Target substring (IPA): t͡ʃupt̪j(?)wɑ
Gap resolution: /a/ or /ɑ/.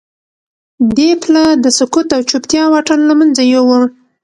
ɑ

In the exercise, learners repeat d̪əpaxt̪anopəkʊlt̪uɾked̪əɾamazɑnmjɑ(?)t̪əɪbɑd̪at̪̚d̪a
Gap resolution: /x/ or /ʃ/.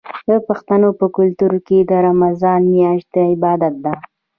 ʃ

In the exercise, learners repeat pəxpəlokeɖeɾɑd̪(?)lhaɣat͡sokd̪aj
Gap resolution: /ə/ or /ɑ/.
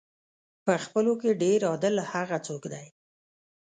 ə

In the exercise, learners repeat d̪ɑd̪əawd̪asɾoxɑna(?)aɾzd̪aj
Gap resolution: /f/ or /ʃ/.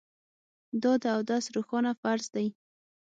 f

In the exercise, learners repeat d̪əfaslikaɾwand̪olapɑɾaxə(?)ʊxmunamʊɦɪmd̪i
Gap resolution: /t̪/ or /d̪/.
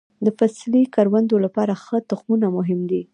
t̪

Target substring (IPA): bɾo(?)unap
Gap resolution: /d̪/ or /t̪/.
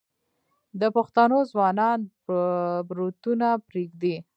t̪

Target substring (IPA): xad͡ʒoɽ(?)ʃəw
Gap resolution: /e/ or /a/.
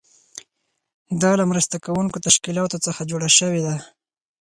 a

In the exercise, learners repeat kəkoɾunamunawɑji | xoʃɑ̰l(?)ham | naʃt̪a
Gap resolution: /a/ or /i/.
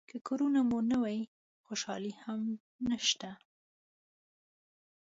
i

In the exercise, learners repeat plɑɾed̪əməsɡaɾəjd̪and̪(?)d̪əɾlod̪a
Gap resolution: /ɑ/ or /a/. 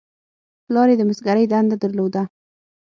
a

